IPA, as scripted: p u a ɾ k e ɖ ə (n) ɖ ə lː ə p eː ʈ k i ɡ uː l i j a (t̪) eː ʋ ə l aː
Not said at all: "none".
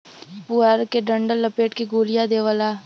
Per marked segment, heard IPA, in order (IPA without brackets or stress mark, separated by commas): ɳ, d̪